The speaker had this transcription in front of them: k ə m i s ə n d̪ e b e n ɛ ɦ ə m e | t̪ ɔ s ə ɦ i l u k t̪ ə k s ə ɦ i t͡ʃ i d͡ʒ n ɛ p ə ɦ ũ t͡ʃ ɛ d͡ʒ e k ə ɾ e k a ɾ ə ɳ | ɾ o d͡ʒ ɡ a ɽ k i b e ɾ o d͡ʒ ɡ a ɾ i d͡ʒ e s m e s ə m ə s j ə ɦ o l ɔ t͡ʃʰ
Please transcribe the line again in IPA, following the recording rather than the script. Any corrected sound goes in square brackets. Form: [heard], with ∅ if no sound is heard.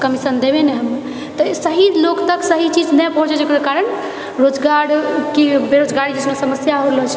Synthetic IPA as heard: k ə m i s ə n d̪ e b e n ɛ ɦ ə m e | t̪ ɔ s ə ɦ i l [o] k t̪ ə k s ə ɦ i t͡ʃ i d͡ʒ n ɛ p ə ɦ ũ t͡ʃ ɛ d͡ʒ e k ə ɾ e k a ɾ ə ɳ | ɾ o d͡ʒ ɡ a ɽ k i b e ɾ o d͡ʒ ɡ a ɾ i d͡ʒ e s m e s ə m ə s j [a] ɦ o l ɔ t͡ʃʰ